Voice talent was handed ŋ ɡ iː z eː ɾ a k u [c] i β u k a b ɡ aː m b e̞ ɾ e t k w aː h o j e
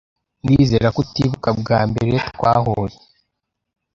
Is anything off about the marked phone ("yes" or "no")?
yes